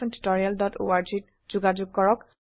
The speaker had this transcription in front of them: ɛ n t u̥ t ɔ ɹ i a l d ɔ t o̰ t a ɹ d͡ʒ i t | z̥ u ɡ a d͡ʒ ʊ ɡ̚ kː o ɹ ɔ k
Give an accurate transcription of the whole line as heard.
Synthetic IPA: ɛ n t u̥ t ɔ ɹ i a l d ɔ t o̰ a ɹ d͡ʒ i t | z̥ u ɡ a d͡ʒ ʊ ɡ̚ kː ɔ ɹ ɔ k